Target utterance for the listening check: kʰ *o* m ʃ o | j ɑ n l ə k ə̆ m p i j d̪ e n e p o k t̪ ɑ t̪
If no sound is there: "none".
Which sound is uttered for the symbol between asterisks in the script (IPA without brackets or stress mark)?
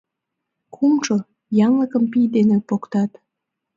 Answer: u